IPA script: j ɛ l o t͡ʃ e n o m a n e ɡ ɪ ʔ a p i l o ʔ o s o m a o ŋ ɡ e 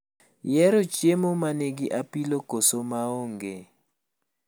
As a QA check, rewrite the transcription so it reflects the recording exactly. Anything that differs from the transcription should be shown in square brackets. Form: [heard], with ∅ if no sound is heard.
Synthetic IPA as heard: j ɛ [ɾ] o t͡ʃ e [m] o m a n e ɡ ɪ ʔ a p i l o [k] o s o m a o ŋ ɡ e

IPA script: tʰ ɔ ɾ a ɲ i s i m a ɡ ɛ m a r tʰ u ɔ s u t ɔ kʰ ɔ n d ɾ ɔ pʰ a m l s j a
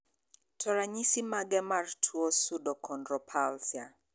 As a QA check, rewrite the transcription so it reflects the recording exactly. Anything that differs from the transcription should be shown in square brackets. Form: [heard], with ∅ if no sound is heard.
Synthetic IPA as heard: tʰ ɔ ɾ a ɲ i s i m a ɡ ɛ m a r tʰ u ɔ s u [d] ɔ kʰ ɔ n d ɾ ɔ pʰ a [∅] l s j a

